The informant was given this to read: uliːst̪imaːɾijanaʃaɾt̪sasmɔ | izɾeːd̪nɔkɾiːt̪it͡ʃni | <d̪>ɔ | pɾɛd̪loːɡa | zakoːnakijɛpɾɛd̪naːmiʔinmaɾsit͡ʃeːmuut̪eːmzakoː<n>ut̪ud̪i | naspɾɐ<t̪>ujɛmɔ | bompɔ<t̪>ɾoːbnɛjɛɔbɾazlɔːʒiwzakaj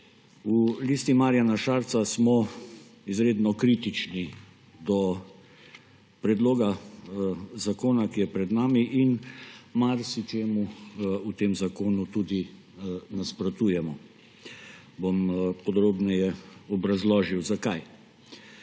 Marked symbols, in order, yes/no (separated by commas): yes, yes, yes, no